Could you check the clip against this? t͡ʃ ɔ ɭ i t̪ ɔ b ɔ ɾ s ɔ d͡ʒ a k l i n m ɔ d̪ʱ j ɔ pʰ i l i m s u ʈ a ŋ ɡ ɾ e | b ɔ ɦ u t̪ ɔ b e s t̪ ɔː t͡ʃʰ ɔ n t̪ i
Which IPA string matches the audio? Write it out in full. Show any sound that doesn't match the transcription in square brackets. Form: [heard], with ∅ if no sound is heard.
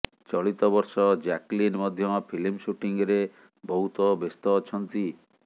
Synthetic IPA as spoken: t͡ʃ ɔ ɭ i t̪ ɔ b ɔ ɾ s ɔ d͡ʒ a k l i n m ɔ d̪ʱ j ɔ pʰ i l i m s u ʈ [i] ŋ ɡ ɾ e | b ɔ ɦ u t̪ ɔ b e s t̪ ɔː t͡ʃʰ ɔ n t̪ i

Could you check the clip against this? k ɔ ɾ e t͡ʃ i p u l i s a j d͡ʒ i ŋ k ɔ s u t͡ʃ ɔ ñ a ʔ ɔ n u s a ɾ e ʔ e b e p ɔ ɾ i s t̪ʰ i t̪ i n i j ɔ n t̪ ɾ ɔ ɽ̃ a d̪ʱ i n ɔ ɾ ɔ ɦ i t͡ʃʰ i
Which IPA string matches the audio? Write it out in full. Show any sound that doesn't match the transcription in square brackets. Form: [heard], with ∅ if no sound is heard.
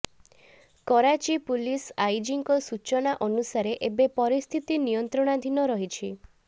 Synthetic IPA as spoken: k ɔ ɾ [a] t͡ʃ i p u l i s a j d͡ʒ i ŋ k ɔ s u t͡ʃ ɔ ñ a ʔ ɔ n u s a ɾ e ʔ e b e p ɔ ɾ i s t̪ʰ i t̪ i n i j ɔ n t̪ ɾ ɔ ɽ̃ a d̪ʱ i n ɔ ɾ ɔ ɦ i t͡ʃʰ i

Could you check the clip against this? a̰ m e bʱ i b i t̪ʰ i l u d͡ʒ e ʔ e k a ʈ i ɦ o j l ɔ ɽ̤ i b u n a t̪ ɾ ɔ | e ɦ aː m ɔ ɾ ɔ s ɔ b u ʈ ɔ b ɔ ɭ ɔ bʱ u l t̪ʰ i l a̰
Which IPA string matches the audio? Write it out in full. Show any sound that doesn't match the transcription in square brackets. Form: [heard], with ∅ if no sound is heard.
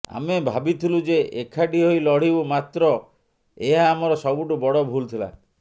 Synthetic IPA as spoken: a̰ m e bʱ [a] b i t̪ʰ i l u d͡ʒ e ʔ e [kʰ] a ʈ i ɦ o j l ɔ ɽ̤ i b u [m] a t̪ ɾ ɔ | e ɦ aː m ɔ ɾ ɔ s ɔ b u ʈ [u] b ɔ [ɽ] ɔ bʱ u l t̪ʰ i l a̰

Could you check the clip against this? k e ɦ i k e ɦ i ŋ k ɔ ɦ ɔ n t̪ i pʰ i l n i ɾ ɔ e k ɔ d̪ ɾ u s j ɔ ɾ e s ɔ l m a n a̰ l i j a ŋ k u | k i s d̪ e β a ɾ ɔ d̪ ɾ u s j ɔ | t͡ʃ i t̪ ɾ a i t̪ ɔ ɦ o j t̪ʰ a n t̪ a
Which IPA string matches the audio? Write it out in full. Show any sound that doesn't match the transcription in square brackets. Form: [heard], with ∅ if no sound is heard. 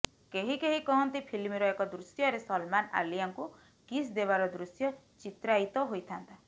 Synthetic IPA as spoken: k e ɦ i k e ɦ i [∅] k ɔ ɦ ɔ n t̪ i pʰ i l [m] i ɾ ɔ e k ɔ d̪ ɾ u s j ɔ ɾ e s ɔ l m a n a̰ l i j a ŋ k u | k i s d̪ e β a ɾ ɔ d̪ ɾ u s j ɔ | t͡ʃ i t̪ ɾ a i t̪ ɔ ɦ o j t̪ʰ a n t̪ a

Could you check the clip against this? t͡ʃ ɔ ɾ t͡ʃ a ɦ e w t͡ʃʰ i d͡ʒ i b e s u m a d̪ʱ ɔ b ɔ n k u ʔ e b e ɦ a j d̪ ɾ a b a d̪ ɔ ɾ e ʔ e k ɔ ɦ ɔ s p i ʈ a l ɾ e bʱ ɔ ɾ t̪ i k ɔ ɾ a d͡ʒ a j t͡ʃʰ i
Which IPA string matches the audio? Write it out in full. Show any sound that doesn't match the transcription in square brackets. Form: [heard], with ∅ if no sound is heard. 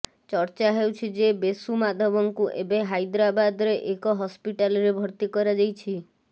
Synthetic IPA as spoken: t͡ʃ ɔ ɾ t͡ʃ a ɦ e w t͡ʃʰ i d͡ʒ [e] b e s u m a d̪ʱ ɔ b ɔ [ŋ] k u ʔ e b e ɦ a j d̪ ɾ a b a d̪ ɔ ɾ e ʔ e k ɔ ɦ ɔ s p i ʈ a l ɾ e bʱ ɔ ɾ t̪ i k ɔ ɾ a d͡ʒ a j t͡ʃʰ i

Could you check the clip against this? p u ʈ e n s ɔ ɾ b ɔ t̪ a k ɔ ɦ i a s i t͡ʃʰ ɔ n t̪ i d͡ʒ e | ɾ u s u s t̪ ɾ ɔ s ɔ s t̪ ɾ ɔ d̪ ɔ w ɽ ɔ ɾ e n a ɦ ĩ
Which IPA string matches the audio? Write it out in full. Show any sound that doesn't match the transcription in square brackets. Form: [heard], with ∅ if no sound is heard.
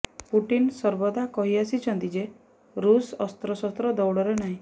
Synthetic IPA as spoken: p u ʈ [i] n s ɔ ɾ b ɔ [d̪] a k ɔ ɦ i a s i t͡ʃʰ ɔ n t̪ i d͡ʒ e | ɾ u s [ɔ] s t̪ ɾ ɔ s ɔ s t̪ ɾ ɔ d̪ ɔ w ɽ ɔ ɾ e n a ɦ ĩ

